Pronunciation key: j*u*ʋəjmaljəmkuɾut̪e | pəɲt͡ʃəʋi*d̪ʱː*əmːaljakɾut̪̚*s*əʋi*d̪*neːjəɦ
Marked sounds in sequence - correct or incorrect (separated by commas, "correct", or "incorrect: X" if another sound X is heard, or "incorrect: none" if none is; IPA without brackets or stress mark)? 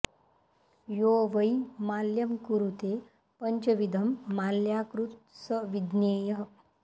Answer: incorrect: o, incorrect: d̪ʱ, correct, correct